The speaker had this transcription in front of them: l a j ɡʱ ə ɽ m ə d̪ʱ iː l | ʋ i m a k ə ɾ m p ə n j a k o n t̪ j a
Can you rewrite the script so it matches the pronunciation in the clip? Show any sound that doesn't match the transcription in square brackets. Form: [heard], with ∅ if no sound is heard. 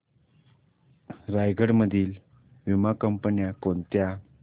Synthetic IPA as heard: [ɾ] a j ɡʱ ə ɽ m ə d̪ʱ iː l | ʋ i m a k ə [∅] m p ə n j a k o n t̪ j a